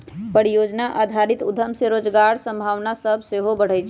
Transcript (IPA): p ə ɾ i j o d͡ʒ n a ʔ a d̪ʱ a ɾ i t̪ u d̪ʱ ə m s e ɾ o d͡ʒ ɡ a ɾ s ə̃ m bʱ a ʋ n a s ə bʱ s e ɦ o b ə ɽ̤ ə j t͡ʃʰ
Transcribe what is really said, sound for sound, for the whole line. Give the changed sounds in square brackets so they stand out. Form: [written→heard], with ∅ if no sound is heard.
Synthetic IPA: p ə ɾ i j o d͡ʒ n a ʔ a d̪ʱ a ɾ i t̪ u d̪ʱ ə m s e ɾ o d͡ʒ ɡ a ɾ s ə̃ m bʱ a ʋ n a s ə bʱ s e ɦ o b ə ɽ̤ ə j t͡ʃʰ